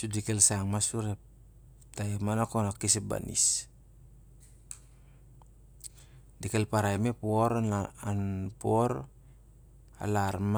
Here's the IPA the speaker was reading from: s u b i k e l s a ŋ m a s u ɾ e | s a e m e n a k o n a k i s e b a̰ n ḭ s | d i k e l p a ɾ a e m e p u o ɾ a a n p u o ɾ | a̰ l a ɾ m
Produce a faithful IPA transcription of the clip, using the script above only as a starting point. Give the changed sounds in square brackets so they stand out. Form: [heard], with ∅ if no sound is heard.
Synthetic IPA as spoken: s u [d] i k e l s a ŋ m a s u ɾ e | [t] a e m [a] n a k o n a k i s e b a̰ n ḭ s | d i k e l p a ɾ a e m e p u o ɾ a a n p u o ɾ | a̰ l a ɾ m